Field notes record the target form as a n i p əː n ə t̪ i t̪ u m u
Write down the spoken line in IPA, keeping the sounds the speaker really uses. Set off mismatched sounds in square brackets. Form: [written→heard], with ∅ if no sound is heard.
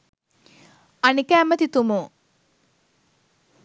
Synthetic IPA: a n i [p→k] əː [n→m] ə t̪ i t̪ u m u